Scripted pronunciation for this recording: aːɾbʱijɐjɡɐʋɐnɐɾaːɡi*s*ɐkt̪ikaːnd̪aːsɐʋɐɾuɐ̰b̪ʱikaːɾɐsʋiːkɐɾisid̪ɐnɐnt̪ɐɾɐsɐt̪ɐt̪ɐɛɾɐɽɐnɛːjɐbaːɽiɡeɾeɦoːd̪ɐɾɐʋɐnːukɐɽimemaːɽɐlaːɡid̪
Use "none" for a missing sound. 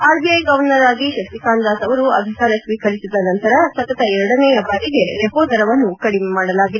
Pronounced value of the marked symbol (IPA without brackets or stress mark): ʃ